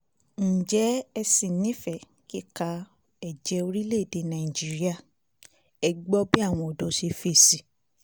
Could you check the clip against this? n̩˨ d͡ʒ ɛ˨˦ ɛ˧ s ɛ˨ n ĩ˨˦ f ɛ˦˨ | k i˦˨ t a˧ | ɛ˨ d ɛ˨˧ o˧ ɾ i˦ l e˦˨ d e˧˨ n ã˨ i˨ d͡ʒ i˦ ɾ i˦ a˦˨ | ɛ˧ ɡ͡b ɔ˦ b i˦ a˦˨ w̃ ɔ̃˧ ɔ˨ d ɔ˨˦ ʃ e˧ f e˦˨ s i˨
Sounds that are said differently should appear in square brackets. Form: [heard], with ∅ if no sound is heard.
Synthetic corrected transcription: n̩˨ d͡ʒ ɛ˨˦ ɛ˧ s [i˨] n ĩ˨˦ f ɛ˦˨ | k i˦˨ [k] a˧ | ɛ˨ [d͡ʒ] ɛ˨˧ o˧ ɾ i˦ l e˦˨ d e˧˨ n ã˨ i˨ d͡ʒ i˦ ɾ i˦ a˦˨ | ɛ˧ ɡ͡b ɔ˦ b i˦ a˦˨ w̃ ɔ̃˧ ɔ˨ d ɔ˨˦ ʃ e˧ f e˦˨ s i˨